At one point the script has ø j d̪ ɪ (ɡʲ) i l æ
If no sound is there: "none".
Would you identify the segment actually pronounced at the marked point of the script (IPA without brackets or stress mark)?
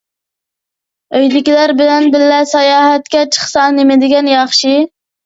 kʲ